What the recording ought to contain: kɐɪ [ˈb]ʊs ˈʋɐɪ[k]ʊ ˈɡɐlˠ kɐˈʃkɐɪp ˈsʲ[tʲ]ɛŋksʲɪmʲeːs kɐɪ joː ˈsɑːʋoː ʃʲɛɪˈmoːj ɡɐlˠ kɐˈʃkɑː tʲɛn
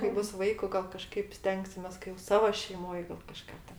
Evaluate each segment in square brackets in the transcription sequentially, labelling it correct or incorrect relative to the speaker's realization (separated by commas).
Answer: correct, correct, correct